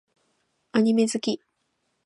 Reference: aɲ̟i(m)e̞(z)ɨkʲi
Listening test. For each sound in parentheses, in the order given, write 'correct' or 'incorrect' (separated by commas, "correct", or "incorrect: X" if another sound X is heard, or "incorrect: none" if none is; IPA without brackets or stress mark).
correct, correct